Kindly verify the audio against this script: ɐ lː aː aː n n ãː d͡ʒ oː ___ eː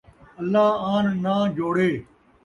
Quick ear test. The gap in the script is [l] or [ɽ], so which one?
ɽ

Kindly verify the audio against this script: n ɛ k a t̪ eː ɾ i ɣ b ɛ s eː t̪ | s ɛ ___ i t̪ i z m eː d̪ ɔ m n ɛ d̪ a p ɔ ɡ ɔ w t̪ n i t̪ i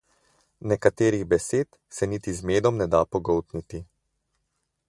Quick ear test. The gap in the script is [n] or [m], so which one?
n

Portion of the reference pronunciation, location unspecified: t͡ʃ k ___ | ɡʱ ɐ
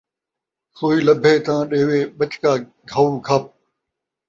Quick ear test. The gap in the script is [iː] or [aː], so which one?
aː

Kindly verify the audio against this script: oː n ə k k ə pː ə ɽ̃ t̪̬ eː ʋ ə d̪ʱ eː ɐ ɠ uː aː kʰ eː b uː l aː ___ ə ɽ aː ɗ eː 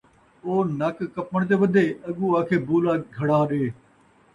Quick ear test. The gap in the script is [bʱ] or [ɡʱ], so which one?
ɡʱ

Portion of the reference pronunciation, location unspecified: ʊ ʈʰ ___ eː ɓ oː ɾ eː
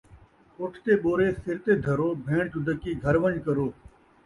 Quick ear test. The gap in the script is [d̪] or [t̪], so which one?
t̪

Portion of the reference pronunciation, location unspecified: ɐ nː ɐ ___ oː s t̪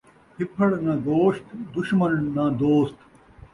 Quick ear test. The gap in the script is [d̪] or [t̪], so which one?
d̪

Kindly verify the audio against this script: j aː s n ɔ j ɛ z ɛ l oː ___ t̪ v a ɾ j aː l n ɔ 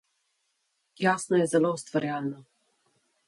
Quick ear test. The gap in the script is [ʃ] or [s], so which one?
s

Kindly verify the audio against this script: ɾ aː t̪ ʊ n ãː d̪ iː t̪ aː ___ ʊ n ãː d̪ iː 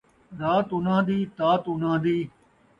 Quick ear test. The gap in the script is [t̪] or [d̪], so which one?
t̪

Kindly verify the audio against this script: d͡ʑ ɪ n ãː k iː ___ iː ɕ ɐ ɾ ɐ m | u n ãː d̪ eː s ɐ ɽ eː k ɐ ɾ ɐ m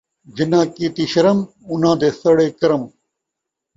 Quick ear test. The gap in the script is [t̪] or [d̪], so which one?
t̪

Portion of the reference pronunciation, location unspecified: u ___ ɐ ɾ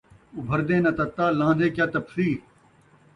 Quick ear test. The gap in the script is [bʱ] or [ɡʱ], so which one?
bʱ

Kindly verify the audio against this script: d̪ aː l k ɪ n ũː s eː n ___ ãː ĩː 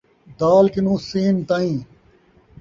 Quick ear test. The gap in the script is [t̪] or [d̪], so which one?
t̪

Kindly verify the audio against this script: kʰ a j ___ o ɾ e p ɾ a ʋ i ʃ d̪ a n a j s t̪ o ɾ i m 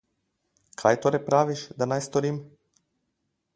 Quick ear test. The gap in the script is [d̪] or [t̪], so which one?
t̪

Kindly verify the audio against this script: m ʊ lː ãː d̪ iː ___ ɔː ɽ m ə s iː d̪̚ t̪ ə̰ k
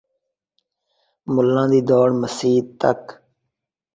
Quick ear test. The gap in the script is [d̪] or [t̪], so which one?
d̪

